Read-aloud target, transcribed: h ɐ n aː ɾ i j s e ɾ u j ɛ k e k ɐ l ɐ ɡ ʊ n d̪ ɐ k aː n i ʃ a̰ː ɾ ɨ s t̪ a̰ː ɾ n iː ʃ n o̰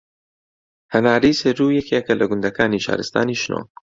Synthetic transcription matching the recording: h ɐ n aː ɾ i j s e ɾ u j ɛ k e k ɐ l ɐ ɡ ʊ n d̪ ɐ k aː n i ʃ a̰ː ɾ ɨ s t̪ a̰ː n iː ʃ n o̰

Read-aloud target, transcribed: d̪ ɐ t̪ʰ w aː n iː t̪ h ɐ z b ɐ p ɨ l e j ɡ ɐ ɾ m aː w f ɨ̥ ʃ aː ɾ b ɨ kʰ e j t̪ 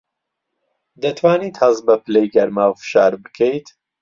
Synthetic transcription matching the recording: d̪ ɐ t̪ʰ w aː n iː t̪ h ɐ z b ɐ p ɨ l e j ɡ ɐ ɾ m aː w f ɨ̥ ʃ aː ɾ b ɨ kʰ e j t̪

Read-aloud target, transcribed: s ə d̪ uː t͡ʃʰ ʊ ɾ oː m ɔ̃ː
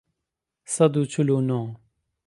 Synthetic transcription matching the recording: s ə d̪ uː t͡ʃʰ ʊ l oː n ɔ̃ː

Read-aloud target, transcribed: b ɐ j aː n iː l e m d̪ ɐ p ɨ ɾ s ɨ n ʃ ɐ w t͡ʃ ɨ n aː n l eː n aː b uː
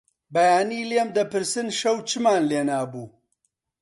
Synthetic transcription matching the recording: b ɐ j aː n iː l e m d̪ ɐ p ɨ ɾ s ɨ n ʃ ɐ w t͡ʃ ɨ m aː n l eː n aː b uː

